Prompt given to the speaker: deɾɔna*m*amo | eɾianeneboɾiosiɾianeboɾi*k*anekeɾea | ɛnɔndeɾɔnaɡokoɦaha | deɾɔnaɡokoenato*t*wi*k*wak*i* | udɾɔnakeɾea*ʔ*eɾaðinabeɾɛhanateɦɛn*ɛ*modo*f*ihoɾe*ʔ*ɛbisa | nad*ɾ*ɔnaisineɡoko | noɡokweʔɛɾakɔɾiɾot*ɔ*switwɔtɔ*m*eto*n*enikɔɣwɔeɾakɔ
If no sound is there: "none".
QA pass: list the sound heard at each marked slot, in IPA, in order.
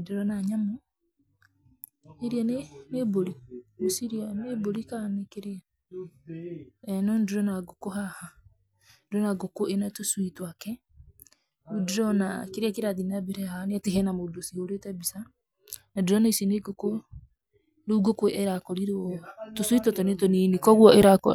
ɲ, k, s, t, ɛ, k, a, s, t, ɾ, o, n, n

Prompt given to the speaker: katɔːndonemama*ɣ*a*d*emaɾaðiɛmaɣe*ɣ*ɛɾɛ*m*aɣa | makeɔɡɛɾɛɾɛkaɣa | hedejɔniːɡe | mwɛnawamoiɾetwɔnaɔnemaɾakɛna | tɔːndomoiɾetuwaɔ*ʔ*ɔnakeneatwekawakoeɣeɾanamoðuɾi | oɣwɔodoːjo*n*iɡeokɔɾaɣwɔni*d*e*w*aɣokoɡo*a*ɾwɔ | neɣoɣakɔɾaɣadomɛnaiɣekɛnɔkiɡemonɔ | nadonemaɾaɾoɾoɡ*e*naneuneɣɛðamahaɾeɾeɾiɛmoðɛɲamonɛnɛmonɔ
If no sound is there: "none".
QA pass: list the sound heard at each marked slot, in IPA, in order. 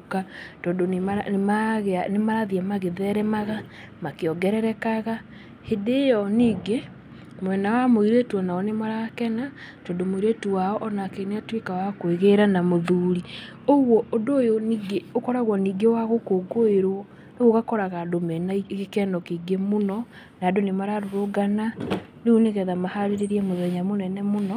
ɣ, n, ð, m, ʔ, n, ɡ, w, e, a

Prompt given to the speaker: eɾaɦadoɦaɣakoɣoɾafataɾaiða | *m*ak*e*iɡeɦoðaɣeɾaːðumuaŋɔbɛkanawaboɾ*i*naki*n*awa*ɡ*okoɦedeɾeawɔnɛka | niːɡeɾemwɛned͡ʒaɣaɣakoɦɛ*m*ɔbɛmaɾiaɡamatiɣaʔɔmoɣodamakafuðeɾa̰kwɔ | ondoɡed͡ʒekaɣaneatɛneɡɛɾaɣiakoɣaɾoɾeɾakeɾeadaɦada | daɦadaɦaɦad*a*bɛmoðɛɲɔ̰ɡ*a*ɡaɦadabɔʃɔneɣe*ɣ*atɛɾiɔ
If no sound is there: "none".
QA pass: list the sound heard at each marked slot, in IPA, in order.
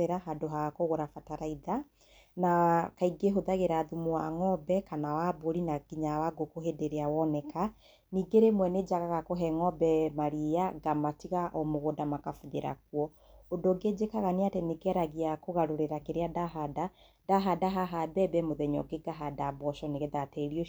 n, a, i, ɲ, ɡ, ŋ, ɛ, e, ð

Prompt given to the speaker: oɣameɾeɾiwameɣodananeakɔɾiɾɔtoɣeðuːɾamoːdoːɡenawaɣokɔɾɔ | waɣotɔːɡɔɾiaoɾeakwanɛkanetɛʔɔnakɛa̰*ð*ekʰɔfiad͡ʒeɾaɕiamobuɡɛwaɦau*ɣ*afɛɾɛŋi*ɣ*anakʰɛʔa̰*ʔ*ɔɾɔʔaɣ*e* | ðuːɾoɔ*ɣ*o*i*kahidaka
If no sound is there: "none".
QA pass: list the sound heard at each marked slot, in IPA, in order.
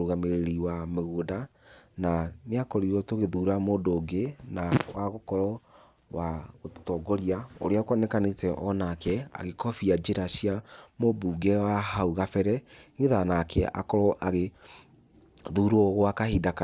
ɣ, ɣ, ð, k, e, ɣ, a

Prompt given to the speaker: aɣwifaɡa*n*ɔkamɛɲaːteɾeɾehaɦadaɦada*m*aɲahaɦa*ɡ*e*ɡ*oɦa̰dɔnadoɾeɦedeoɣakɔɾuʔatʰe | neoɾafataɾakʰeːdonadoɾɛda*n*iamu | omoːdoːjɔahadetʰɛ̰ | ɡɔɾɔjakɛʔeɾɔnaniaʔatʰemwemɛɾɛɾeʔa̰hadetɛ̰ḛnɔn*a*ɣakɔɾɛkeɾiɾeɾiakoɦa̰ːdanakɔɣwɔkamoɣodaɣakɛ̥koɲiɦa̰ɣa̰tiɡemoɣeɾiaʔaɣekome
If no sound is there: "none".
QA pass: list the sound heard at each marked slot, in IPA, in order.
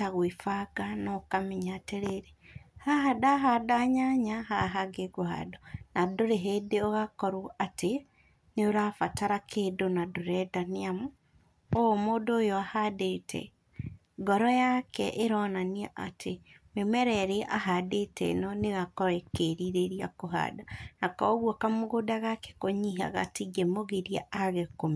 n, ɲ, ɡ, ɡ, n, e

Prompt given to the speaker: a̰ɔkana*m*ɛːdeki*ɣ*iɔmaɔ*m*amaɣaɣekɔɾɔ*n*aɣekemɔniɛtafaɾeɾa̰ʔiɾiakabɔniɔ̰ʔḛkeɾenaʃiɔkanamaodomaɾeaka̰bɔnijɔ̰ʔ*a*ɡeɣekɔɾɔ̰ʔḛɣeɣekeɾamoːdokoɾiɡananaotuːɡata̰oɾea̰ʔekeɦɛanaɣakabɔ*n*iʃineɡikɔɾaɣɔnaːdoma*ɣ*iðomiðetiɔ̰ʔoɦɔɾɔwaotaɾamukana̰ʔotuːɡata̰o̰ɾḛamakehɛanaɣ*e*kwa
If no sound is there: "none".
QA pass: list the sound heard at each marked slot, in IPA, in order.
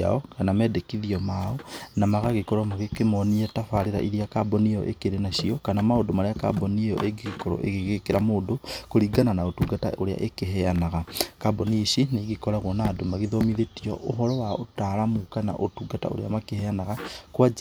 m, ð, n, m, e, n, ɣ, a

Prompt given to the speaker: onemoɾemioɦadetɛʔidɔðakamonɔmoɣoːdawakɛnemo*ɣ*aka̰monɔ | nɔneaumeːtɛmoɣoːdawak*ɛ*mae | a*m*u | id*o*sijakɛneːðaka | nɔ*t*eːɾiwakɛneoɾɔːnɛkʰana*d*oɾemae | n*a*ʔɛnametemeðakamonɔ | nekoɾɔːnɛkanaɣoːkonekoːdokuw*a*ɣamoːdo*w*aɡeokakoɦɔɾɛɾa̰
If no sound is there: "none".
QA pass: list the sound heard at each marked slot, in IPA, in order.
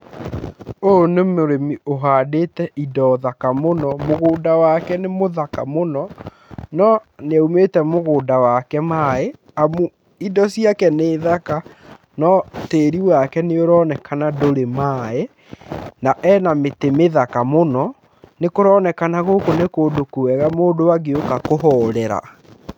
ð, ɛ, m, ɔ, t, d, a, ɛ, w

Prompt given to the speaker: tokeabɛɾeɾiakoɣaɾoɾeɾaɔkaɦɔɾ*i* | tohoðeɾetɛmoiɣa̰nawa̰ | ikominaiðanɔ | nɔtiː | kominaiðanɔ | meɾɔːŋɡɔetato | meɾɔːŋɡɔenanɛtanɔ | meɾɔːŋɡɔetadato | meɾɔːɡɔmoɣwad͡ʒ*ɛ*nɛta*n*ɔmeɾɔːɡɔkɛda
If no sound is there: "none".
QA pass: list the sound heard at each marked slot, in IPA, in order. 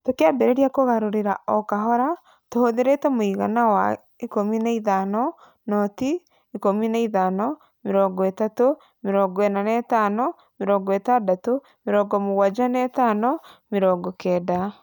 a, a, n

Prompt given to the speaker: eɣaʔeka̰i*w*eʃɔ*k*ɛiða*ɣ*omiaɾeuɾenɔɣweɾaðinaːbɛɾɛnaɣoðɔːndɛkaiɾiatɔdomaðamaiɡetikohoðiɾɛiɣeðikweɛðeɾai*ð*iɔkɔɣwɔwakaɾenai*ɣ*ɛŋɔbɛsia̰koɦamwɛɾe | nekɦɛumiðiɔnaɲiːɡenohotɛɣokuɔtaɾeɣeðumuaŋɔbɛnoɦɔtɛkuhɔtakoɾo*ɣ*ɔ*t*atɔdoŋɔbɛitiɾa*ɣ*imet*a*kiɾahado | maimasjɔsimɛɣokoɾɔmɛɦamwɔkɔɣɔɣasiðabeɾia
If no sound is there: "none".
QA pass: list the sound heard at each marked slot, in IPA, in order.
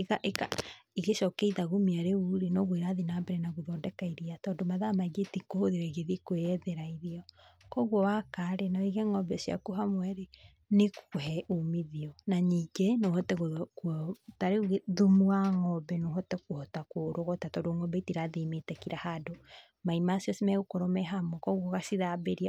ɣ, k, ɣ, ð, ɣ, ɣ, t, ð, ɛ

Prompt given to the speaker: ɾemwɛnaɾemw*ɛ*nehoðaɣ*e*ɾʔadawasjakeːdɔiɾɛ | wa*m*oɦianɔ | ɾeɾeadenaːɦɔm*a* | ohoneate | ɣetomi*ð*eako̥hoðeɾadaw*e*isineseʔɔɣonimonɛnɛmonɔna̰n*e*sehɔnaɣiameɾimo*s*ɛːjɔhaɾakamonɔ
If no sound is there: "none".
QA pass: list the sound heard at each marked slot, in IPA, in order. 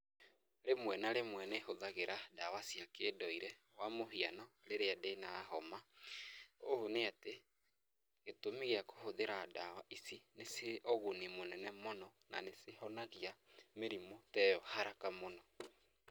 ɛ, e, m, a, ɣ, a, e, t

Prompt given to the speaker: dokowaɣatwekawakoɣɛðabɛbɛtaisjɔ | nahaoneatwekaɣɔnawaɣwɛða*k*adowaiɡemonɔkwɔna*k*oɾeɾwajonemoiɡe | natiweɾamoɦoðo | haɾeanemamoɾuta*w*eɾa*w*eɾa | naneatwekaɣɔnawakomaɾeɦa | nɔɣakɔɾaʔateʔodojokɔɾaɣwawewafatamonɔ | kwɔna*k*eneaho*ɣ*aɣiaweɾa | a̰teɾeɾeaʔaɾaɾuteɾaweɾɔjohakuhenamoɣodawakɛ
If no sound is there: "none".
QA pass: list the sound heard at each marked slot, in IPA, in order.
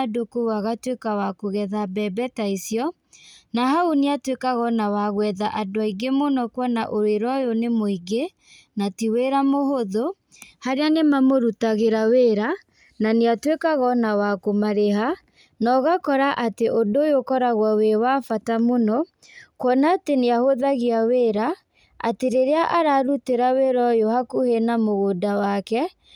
ʔ, ʔ, ɣ, w, t, ð

